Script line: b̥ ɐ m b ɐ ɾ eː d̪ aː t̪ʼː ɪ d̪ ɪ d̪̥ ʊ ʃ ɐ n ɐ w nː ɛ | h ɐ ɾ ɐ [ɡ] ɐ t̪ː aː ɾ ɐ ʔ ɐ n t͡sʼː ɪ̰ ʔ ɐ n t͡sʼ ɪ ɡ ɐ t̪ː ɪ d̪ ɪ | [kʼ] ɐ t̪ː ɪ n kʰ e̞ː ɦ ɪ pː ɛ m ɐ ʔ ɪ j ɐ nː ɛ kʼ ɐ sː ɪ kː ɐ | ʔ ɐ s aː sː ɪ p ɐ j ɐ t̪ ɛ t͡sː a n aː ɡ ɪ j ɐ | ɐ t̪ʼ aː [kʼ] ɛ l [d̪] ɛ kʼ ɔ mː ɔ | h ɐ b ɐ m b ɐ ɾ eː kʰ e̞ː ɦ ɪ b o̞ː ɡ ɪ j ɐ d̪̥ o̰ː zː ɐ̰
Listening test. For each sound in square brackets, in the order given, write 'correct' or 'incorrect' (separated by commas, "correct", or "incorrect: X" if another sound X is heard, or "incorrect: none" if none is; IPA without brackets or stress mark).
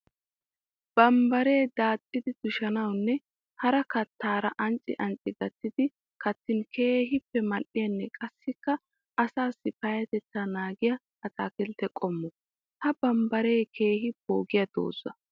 incorrect: k, incorrect: k, incorrect: k, incorrect: t̪